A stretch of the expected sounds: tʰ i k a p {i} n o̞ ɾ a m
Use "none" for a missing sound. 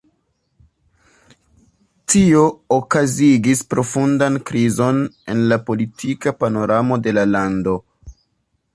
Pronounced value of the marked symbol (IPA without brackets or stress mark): a